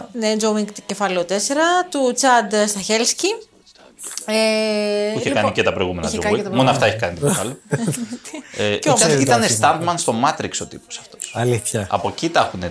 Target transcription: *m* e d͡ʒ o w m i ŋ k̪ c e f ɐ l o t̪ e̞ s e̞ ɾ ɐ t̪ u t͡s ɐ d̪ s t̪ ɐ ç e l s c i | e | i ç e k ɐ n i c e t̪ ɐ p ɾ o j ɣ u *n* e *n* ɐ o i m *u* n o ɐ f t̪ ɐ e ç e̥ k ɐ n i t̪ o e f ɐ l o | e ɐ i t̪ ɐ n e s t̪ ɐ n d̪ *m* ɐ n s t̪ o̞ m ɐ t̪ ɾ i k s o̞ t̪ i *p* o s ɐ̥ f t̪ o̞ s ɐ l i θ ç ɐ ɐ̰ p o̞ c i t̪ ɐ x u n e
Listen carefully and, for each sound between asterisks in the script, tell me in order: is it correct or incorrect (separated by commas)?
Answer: incorrect, incorrect, correct, incorrect, correct, correct